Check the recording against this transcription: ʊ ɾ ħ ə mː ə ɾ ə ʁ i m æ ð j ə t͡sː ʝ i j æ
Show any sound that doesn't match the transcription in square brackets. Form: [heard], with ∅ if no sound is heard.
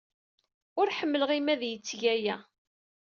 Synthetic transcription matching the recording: ʊ ɾ ħ ə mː ə [l] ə ʁ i m æ ð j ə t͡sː ʝ [æ] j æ